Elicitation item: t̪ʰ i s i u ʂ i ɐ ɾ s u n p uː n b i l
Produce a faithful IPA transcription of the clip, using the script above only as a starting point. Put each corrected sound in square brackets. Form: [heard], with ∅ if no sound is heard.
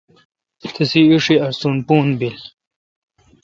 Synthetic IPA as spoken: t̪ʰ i s i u ʂ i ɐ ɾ s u n p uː n b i l